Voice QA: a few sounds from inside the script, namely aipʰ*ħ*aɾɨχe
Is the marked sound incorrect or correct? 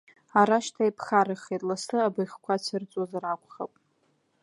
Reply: incorrect